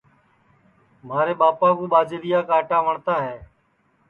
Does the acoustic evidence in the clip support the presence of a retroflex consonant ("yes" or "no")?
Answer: yes